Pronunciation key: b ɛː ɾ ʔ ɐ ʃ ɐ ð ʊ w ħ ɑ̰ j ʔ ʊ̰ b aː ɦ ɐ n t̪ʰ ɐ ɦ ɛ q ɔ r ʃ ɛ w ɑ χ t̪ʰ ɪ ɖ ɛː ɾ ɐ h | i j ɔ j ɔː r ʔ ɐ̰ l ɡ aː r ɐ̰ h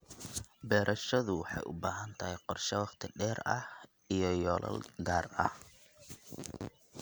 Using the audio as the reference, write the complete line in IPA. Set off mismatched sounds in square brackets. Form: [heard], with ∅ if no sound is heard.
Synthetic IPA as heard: b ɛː ɾ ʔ ɐ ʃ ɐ ð ʊ w ħ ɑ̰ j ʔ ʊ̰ b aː ɦ ɐ n t̪ʰ ɐ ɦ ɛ q ɔ r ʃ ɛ w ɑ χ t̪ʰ ɪ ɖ ɛː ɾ ɐ h | i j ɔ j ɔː [l] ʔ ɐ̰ l ɡ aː r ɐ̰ h